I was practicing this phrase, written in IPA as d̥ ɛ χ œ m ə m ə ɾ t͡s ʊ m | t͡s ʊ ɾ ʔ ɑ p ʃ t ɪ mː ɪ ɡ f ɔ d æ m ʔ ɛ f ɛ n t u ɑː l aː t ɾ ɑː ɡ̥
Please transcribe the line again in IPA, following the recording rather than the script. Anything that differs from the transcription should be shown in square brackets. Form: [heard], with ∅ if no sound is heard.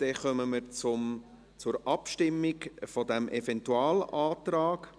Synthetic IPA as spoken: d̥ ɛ χ œ m ə m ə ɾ t͡s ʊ m | t͡s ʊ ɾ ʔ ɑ p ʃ t ɪ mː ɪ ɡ f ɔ d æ m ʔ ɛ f ɛ n t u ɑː l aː t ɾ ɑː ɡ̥